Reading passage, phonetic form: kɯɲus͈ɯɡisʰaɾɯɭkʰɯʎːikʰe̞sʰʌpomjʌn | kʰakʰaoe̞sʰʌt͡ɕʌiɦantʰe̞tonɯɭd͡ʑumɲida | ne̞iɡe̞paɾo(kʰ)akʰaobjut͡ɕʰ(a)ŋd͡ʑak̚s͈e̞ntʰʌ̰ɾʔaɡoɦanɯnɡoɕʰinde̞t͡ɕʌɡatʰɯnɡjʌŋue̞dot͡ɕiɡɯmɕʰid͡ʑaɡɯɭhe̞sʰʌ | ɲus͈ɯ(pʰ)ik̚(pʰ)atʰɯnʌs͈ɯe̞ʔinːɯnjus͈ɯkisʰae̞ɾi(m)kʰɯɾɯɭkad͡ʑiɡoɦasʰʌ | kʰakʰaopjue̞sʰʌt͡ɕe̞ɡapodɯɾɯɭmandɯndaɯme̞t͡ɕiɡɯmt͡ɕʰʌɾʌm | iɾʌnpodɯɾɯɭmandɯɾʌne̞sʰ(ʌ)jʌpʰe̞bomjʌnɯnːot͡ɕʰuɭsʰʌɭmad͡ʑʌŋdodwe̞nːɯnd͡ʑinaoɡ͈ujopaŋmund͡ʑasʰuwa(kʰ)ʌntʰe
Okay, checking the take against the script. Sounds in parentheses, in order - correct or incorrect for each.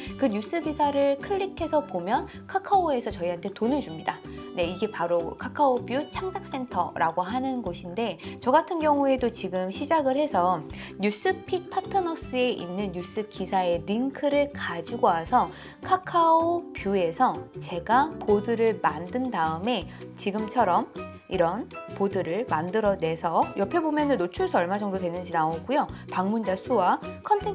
correct, correct, correct, correct, incorrect: ŋ, correct, correct

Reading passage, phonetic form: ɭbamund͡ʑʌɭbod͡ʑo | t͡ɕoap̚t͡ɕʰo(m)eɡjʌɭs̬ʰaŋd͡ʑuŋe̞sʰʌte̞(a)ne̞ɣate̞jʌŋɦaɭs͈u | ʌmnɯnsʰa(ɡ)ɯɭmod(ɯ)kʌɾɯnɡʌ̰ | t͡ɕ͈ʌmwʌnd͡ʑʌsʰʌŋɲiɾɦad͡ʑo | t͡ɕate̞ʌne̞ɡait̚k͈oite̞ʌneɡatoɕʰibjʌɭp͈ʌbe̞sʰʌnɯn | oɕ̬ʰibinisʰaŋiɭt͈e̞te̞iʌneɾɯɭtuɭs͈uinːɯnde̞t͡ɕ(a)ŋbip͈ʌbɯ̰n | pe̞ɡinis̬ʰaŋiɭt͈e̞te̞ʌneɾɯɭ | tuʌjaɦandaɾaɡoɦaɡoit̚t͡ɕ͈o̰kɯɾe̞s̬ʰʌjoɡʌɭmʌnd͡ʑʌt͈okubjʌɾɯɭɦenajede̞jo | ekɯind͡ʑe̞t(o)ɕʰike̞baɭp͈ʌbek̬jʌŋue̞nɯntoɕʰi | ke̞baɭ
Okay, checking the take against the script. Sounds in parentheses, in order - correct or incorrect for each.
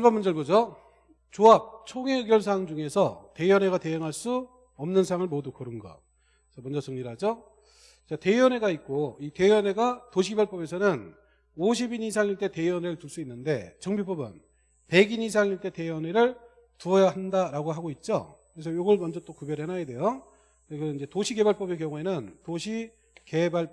incorrect: ŋ, incorrect: ʌ, incorrect: ŋ, incorrect: u, incorrect: ʌ, correct

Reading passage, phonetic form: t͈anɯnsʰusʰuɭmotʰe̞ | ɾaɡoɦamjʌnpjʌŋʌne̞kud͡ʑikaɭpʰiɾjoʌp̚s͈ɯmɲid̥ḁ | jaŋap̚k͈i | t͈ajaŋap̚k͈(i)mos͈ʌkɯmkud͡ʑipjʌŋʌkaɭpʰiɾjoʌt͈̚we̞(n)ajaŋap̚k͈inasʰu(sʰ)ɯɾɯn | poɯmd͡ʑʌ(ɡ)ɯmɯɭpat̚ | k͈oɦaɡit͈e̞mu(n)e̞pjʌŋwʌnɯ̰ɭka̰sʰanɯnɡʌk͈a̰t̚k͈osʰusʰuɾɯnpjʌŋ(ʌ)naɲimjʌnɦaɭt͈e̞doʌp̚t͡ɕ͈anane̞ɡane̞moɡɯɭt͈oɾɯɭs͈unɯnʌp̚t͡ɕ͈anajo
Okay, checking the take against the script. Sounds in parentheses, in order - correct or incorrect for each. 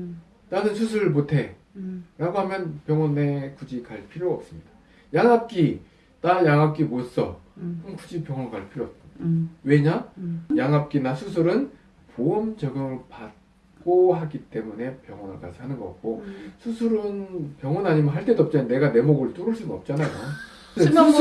correct, incorrect: ɲ, correct, correct, correct, correct

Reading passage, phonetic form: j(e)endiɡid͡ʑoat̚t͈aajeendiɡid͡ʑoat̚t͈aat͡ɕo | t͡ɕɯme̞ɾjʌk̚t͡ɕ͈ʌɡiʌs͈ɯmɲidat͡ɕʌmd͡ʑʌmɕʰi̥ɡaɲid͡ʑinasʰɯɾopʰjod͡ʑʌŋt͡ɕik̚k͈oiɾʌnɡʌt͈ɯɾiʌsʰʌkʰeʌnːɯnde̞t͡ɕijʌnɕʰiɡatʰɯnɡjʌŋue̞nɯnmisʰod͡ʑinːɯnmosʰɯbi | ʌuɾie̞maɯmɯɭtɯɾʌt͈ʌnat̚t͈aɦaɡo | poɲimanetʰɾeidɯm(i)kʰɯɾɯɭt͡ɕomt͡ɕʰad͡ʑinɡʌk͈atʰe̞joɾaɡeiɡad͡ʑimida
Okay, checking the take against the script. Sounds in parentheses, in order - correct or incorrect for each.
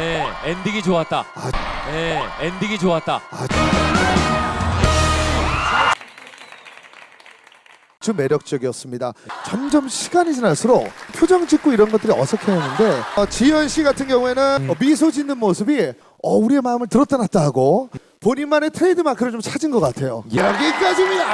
correct, incorrect: a

